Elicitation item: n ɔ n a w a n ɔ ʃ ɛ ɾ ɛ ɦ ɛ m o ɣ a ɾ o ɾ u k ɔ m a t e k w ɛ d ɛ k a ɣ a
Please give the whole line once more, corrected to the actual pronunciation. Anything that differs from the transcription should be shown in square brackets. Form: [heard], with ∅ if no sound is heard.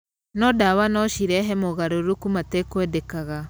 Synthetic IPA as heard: n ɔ [d] a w a n ɔ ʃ [i] ɾ ɛ ɦ ɛ m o ɣ a ɾ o ɾ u k [u] m a t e k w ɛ d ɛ k a ɣ a